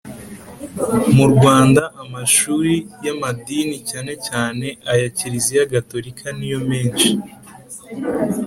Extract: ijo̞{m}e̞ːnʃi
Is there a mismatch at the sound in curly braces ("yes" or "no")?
no